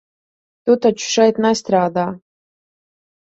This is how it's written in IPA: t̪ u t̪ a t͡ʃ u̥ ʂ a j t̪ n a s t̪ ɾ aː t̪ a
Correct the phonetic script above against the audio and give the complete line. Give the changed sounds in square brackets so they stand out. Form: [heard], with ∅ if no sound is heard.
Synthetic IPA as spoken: t̪ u t̪ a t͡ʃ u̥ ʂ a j t̪ n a s t̪ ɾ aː [d̪] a

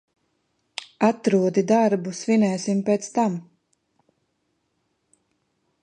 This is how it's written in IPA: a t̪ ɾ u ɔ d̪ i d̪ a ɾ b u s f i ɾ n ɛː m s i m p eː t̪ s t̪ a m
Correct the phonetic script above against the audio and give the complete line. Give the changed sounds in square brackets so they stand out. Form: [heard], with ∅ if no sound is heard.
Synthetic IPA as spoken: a t̪ ɾ u ɔ d̪ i d̪ a ɾ b u s [v] i [∅] n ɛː [∅] s i m p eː t̪ s t̪ a m

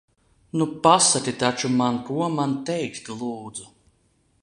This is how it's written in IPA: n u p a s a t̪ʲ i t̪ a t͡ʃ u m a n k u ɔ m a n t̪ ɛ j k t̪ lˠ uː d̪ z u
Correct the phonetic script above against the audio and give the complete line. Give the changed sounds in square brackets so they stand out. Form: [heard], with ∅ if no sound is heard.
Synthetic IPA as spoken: n u p a s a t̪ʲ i t̪ a t͡ʃ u m a n k u ɔ m a n t̪ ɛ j k t̪ lˠ uː d̪ z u

